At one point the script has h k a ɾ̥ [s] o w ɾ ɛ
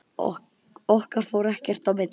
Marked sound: incorrect: f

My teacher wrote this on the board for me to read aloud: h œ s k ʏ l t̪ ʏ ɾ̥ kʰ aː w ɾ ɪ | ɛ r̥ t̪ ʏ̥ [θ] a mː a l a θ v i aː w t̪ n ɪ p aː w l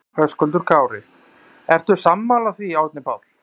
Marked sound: incorrect: s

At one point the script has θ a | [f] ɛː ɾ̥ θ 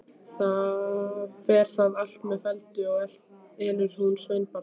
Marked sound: correct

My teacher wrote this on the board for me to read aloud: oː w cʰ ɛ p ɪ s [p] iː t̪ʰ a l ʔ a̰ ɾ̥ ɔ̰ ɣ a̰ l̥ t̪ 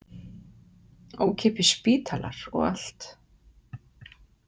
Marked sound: correct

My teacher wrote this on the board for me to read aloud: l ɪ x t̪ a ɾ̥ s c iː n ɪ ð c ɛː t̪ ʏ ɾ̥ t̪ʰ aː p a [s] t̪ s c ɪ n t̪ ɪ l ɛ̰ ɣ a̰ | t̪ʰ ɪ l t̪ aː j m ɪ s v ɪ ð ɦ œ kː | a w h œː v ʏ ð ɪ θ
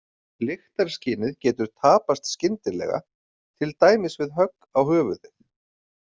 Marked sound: correct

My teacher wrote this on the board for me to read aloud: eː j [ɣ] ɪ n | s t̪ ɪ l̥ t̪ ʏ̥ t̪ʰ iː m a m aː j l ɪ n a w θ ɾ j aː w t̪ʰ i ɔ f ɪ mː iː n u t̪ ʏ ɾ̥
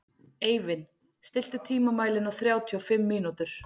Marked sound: incorrect: v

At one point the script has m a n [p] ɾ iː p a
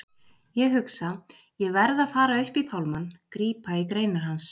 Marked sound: incorrect: k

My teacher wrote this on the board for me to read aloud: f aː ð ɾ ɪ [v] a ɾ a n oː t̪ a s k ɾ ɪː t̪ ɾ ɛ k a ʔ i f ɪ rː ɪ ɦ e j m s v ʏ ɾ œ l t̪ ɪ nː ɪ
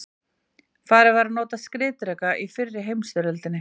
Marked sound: correct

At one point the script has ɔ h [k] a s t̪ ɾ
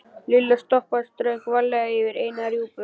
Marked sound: incorrect: p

